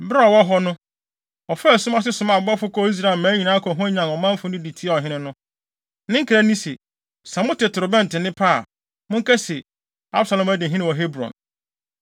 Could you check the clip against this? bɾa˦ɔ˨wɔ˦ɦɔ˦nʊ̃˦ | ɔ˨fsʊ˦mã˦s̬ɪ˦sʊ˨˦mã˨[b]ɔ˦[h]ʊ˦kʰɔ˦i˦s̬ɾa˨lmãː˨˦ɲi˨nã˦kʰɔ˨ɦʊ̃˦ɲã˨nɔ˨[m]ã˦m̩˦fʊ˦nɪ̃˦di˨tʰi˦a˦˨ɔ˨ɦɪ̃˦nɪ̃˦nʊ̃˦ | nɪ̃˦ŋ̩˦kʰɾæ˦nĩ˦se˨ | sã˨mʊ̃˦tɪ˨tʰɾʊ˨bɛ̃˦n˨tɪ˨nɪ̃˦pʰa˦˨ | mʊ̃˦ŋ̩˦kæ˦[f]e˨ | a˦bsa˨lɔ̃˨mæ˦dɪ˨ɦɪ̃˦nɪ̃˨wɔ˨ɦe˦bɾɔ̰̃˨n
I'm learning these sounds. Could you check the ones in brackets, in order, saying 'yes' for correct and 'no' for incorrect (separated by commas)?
yes, no, yes, no